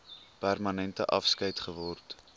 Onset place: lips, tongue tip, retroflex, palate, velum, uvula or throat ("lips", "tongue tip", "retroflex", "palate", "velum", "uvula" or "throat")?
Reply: lips